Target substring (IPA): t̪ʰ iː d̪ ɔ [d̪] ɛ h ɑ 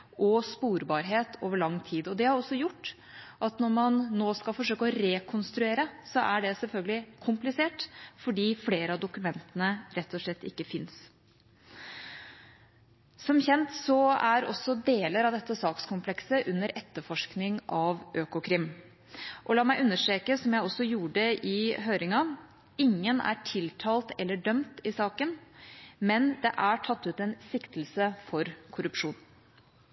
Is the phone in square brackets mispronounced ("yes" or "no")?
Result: no